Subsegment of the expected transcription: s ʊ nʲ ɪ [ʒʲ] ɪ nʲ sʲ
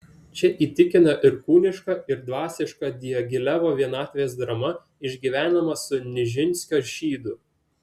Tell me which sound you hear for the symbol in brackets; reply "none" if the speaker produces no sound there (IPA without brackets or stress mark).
ʒʲ